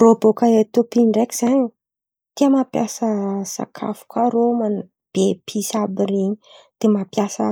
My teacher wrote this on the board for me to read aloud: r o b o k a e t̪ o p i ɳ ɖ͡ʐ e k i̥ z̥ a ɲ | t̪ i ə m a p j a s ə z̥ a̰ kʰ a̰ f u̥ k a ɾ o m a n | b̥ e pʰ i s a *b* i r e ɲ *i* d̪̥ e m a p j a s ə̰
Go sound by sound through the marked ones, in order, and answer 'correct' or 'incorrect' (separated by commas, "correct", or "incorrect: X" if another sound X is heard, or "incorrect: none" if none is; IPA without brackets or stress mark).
correct, correct